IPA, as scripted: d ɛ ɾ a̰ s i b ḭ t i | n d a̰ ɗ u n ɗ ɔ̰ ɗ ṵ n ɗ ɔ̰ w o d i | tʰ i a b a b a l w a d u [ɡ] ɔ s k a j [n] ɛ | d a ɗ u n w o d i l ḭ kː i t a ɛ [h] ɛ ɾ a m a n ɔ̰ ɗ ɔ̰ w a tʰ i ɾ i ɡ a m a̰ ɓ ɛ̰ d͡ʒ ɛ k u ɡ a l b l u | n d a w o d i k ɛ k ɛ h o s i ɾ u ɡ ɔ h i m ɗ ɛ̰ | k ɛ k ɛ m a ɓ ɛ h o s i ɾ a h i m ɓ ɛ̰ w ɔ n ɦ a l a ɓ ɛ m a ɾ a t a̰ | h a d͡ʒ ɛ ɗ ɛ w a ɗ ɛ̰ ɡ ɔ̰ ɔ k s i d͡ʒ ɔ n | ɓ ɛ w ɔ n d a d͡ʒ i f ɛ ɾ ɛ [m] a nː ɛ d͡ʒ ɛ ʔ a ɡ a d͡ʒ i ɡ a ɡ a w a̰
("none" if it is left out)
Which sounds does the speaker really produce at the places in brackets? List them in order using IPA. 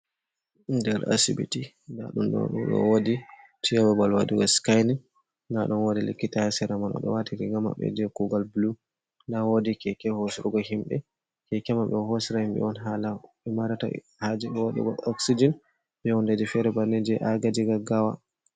ɡ, n, s, b

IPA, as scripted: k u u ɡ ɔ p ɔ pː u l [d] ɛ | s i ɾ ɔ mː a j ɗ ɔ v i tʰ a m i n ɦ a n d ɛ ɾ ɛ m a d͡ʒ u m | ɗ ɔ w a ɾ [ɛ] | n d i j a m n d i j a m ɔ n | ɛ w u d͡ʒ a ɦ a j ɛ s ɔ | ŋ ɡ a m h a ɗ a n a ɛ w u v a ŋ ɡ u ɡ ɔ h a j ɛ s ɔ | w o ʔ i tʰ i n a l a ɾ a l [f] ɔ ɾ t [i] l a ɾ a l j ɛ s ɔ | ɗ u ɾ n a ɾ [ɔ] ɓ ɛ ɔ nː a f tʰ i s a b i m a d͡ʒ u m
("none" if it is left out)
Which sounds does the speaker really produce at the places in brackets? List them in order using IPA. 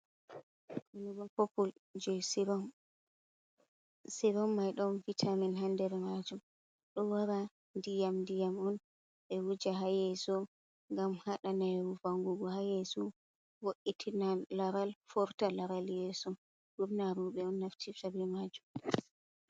d͡ʒ, a, f, a, u

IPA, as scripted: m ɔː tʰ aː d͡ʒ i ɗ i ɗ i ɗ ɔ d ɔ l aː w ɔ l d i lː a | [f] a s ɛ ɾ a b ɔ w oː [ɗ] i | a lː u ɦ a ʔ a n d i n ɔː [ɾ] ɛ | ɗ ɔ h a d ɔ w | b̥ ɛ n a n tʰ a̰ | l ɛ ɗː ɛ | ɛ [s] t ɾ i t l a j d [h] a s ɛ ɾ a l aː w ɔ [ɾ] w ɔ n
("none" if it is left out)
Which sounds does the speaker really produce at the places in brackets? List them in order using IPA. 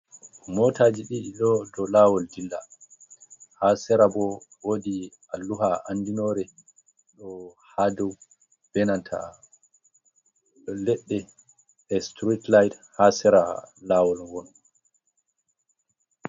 h, d, ɾ, s, h, l

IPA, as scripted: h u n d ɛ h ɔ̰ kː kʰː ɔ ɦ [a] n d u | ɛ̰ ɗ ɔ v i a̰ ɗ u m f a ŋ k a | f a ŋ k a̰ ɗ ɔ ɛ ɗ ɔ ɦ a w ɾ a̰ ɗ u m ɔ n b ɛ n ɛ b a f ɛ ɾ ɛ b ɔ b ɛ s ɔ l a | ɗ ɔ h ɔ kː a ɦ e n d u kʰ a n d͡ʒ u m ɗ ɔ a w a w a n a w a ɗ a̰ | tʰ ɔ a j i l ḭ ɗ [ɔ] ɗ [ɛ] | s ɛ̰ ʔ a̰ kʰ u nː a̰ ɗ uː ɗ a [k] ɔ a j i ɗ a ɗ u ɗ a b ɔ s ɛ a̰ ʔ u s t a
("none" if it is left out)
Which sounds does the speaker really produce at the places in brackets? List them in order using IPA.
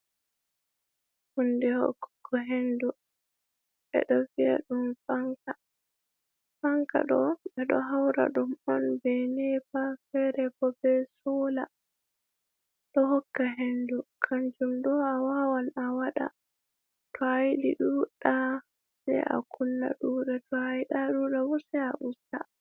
e, u, a, t

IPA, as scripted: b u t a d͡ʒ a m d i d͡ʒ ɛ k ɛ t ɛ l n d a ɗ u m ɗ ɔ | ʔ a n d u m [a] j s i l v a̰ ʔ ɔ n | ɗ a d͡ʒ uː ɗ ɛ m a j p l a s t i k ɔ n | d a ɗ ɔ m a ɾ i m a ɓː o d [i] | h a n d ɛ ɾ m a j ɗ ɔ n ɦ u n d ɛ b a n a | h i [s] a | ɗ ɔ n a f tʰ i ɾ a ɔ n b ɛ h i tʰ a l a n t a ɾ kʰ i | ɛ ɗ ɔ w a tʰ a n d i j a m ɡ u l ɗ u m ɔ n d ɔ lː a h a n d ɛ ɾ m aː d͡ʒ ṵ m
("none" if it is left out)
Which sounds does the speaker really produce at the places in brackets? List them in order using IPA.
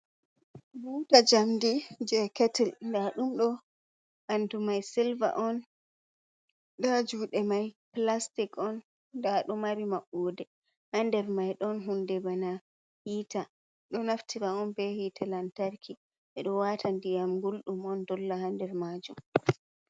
a, ɛ, t

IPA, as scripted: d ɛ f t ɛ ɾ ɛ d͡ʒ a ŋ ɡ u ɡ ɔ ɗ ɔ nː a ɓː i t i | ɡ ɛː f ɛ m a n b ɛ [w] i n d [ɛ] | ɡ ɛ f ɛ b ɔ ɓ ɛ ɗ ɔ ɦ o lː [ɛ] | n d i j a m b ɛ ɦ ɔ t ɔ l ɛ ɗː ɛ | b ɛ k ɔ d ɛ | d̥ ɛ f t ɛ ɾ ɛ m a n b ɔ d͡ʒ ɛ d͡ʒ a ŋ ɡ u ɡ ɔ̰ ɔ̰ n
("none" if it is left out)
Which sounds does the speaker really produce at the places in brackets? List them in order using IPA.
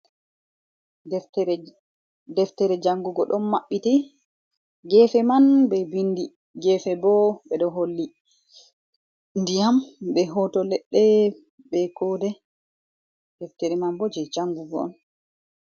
b, i, i

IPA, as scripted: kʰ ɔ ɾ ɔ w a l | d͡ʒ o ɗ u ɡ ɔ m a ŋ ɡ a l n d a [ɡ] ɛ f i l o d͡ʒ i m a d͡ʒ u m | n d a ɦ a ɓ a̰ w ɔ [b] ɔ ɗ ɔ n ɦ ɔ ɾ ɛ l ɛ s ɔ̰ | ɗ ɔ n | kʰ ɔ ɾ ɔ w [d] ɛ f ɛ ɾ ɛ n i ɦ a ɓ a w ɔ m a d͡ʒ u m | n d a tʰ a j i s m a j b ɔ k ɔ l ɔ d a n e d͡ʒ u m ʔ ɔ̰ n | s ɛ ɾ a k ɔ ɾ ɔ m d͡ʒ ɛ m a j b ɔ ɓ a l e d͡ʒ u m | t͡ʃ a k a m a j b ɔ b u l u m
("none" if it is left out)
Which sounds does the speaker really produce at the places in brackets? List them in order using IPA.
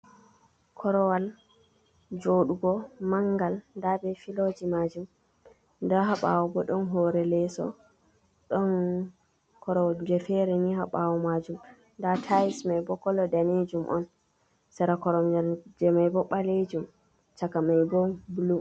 b, b, d͡ʒ

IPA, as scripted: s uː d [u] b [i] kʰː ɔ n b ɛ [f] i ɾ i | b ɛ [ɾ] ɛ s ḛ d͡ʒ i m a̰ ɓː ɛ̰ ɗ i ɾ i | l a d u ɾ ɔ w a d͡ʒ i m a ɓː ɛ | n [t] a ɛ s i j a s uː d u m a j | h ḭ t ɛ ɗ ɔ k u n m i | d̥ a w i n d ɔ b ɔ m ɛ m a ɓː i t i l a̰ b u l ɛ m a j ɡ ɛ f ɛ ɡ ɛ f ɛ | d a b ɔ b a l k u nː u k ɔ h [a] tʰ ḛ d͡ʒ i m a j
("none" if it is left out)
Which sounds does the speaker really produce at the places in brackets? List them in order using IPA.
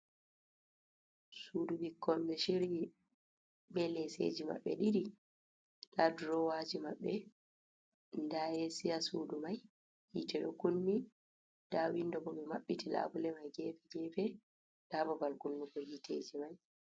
u, i, ʃ, l, d, i

